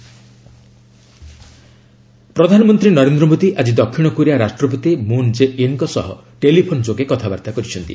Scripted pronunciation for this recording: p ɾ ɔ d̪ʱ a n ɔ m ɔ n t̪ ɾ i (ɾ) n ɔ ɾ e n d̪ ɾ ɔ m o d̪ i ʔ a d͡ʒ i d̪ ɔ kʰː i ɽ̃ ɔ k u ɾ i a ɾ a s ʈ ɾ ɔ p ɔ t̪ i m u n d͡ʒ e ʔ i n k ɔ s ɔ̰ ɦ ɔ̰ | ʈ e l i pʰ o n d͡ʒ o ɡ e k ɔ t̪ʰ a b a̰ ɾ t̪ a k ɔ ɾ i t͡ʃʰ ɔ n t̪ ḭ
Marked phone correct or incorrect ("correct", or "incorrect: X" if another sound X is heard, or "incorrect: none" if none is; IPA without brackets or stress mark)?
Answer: incorrect: none